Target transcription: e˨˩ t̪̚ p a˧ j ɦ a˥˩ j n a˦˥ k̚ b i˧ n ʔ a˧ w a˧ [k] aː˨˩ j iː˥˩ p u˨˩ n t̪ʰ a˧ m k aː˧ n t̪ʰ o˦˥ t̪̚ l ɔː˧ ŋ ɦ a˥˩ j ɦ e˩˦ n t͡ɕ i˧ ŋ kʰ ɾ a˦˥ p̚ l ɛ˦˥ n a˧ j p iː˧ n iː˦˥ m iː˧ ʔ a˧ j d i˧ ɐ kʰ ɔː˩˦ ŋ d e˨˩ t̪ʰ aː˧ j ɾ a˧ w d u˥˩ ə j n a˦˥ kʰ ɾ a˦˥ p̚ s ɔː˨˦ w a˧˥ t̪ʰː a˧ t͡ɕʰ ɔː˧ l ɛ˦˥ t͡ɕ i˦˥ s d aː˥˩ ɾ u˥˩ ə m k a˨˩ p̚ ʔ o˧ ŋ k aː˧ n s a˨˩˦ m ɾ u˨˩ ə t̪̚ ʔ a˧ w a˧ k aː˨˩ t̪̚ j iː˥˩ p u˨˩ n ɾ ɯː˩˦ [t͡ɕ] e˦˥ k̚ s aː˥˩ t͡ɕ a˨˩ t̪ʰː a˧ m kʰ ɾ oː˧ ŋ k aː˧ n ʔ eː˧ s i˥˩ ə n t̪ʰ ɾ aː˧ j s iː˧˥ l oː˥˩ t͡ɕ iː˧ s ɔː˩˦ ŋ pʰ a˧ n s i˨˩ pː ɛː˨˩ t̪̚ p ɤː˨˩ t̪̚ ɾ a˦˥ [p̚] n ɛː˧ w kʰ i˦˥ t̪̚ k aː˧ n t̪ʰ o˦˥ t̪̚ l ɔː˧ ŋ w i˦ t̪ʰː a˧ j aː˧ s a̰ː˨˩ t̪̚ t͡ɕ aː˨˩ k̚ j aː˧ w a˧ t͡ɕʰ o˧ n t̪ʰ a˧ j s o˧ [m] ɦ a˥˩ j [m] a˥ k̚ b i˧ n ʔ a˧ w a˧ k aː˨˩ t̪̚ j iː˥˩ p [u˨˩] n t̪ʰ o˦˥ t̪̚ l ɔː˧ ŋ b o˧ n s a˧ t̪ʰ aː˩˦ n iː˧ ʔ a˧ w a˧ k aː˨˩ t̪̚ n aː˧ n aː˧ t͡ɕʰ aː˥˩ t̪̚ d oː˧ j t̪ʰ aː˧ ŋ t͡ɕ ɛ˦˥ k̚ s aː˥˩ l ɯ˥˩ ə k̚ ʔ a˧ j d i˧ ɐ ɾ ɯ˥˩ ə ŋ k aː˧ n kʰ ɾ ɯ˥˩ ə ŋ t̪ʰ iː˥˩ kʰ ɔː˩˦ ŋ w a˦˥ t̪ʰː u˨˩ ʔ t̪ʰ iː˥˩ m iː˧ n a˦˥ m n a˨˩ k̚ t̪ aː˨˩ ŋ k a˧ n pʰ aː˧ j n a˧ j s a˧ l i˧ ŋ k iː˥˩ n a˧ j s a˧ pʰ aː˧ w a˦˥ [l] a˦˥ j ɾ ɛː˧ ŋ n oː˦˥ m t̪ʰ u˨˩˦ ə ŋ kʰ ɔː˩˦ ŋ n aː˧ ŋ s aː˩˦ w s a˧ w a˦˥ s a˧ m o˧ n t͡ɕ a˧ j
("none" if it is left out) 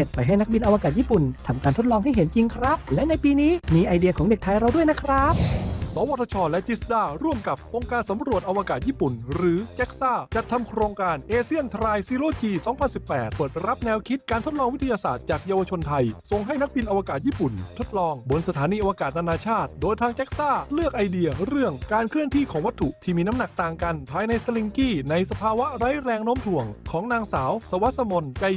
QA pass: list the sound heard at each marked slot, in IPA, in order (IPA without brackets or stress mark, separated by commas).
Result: k, t͡ɕ, p̚, ŋ, n, u˨˩, ɾ